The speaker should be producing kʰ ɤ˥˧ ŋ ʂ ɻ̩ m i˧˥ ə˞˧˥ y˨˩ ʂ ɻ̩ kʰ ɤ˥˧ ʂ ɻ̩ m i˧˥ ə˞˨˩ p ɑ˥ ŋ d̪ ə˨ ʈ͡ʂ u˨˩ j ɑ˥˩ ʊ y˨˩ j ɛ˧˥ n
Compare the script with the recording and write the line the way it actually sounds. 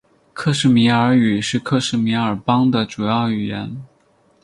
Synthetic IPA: kʰ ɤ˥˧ ʂ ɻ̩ m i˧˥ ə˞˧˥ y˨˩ ʂ ɻ̩ kʰ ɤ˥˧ ʂ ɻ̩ m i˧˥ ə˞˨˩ p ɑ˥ ŋ d̪ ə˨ ʈ͡ʂ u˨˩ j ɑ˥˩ ʊ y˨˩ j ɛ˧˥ n